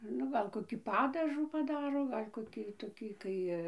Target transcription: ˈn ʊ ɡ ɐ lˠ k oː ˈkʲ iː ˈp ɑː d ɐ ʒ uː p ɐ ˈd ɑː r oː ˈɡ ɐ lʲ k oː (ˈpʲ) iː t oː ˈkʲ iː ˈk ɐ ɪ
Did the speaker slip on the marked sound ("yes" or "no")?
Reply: yes